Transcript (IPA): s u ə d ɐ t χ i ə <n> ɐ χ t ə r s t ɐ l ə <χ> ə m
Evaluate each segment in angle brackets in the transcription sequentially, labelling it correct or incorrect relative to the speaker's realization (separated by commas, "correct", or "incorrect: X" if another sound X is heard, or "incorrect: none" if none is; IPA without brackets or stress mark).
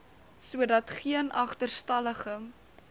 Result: correct, correct